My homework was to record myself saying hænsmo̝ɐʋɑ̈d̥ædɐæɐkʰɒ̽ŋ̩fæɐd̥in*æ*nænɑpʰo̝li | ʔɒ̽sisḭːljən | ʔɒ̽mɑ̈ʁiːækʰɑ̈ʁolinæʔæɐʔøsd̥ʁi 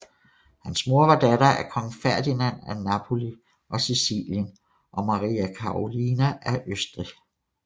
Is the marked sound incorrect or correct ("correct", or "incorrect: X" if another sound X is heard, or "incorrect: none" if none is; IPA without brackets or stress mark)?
correct